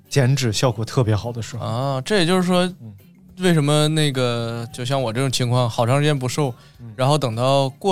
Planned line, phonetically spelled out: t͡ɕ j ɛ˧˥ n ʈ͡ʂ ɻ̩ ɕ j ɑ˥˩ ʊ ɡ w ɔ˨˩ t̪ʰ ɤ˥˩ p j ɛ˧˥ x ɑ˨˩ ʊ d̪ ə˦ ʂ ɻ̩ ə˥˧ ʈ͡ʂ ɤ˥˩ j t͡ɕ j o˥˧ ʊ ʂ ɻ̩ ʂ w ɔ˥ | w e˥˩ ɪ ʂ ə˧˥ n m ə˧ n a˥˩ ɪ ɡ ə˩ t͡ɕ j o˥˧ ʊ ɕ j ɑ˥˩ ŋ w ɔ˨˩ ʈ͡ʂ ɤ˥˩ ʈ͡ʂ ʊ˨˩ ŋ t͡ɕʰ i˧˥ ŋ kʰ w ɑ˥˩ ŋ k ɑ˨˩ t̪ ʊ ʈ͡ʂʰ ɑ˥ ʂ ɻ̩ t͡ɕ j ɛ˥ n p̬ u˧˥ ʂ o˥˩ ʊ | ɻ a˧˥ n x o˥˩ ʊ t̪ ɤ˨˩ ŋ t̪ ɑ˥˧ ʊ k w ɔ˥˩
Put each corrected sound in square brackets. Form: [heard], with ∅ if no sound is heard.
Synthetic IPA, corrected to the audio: t͡ɕ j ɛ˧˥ n ʈ͡ʂ ɻ̩ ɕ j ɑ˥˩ ʊ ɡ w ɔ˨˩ t̪ʰ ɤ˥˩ p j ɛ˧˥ x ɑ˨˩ ʊ d̪ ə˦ ʂ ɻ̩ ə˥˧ ʈ͡ʂ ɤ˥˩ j t͡ɕ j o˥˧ ʊ ʂ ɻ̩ ʂ w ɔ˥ | w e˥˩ ɪ ʂ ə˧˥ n m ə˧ n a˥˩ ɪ ɡ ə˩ t͡ɕ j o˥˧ ʊ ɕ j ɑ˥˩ ŋ w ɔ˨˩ ʈ͡ʂ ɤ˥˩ ʈ͡ʂ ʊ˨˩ ŋ t͡ɕʰ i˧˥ ŋ kʰ w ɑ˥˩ ŋ [x] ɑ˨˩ [∅] ʊ ʈ͡ʂʰ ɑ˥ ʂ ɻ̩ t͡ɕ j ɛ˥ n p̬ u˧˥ ʂ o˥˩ ʊ | ɻ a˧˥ n x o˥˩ ʊ t̪ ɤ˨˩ ŋ t̪ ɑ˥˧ ʊ k w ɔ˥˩